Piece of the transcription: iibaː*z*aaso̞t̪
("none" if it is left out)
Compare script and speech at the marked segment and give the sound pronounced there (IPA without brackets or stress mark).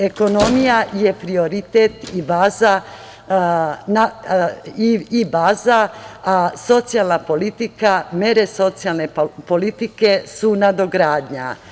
z